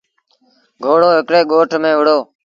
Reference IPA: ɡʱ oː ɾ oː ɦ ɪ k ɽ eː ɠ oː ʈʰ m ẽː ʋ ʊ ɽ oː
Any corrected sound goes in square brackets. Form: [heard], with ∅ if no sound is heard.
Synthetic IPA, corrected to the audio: ɡʱ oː [ɽ] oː ɦ ɪ k ɽ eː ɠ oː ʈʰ m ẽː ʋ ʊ ɽ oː